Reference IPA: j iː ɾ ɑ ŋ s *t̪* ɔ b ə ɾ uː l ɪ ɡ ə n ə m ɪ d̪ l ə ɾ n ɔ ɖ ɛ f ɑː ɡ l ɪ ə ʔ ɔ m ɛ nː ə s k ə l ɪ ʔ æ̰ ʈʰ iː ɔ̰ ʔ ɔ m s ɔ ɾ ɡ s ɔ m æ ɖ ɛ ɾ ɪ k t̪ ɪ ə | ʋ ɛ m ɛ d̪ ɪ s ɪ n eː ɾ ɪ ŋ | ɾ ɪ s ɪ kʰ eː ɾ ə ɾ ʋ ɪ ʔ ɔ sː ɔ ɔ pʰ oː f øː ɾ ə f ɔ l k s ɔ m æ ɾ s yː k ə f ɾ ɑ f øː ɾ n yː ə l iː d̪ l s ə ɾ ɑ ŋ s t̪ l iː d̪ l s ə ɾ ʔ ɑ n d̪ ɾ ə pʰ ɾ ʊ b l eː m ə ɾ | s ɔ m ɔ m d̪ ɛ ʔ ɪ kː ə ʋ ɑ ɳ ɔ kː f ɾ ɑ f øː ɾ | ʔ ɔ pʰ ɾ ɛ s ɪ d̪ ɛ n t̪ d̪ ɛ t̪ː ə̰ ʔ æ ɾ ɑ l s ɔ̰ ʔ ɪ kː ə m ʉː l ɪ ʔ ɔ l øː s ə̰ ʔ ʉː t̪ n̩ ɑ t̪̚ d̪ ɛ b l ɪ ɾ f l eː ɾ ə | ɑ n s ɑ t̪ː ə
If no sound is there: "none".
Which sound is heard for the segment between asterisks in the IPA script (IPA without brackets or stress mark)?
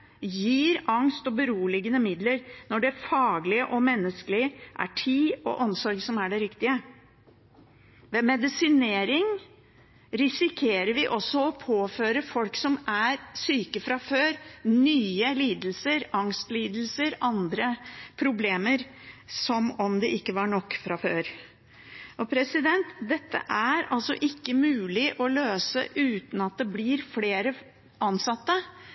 t̪